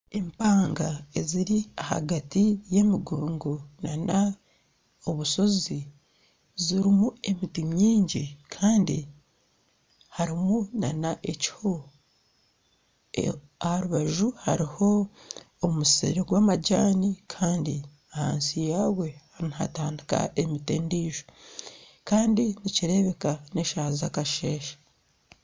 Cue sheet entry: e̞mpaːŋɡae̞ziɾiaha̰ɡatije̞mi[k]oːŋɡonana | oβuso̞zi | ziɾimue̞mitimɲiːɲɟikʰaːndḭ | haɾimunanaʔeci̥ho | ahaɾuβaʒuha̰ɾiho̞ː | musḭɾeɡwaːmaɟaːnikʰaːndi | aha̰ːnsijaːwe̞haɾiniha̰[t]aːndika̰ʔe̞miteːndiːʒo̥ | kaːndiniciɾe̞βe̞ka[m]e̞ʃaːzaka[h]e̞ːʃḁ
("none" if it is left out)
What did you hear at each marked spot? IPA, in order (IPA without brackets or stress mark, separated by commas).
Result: ɡ, t, n, ʃ